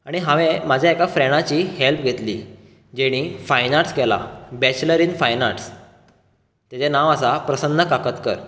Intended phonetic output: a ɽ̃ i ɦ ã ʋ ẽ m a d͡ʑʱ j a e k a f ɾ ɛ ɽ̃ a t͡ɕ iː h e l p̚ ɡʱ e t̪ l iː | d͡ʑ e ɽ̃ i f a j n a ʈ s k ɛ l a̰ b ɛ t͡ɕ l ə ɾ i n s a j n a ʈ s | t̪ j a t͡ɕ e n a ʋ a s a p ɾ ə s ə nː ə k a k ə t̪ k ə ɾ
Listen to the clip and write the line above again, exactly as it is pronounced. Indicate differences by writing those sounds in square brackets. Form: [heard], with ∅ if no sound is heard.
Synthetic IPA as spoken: a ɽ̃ i ɦ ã ʋ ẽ m a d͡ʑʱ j a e k a f ɾ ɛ ɽ̃ a t͡ɕ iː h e l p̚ ɡʱ e t̪ l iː | d͡ʑ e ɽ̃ i f a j n a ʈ s k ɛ l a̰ b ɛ t͡ɕ l ə ɾ i n [f] a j n a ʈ s | t̪ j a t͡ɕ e n a ʋ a s a p ɾ ə s ə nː ə k a k ə t̪ k ə ɾ